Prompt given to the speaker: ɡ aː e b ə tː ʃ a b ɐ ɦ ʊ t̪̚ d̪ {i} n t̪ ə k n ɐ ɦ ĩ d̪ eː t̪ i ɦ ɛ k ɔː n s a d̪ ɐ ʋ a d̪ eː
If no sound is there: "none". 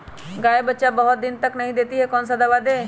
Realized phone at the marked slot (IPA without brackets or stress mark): ɪ